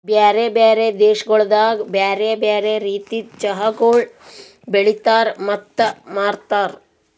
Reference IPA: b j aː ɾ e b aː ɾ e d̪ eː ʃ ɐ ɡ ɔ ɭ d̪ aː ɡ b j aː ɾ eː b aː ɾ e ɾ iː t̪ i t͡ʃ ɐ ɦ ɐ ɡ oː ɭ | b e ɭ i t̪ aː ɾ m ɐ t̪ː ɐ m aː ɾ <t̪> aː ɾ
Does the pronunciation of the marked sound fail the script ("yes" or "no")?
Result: no